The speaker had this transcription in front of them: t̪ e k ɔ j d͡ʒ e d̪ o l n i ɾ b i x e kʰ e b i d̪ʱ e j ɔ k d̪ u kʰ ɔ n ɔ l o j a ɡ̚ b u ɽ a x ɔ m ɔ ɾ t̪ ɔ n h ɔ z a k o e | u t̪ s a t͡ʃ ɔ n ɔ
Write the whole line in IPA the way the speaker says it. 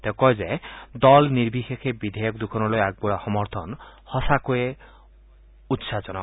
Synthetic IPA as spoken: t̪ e k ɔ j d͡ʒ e d̪ ɔ l n i ɾ b i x e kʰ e b i d̪ʱ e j ɔ k d̪ u kʰ ɔ n ɔ l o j a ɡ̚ b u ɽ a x ɔ m ɔ ɾ t̪ʰ ɔ n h ɔ s a k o e | u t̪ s a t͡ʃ ɔ n ɔ